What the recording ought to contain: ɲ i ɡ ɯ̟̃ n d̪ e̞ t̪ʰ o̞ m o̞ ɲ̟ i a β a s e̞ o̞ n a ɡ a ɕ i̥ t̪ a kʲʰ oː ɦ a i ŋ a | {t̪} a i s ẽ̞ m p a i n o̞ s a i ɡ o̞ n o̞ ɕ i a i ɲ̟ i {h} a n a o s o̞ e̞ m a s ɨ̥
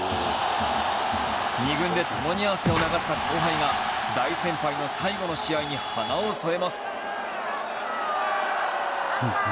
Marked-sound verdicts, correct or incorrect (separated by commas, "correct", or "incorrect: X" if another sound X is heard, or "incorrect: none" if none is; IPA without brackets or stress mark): incorrect: d̪, correct